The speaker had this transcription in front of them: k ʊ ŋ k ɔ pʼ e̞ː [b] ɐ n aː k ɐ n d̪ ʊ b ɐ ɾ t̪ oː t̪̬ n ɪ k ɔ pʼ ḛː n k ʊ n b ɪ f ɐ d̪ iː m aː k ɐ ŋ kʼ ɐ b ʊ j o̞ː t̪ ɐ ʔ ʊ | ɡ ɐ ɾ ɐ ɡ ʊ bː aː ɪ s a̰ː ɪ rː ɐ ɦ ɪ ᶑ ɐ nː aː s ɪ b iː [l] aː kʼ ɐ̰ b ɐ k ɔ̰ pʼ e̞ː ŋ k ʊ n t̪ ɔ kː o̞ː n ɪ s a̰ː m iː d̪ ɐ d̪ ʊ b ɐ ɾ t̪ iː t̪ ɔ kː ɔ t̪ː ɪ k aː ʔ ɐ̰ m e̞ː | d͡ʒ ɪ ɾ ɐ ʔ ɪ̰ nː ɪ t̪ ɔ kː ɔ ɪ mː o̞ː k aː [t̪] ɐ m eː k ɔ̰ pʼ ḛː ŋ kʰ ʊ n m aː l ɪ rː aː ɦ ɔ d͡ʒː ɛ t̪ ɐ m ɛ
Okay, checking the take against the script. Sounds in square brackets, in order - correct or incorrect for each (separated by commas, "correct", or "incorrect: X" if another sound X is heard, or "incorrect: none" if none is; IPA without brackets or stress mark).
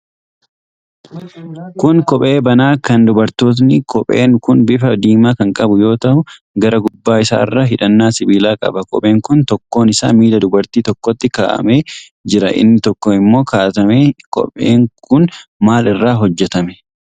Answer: correct, correct, correct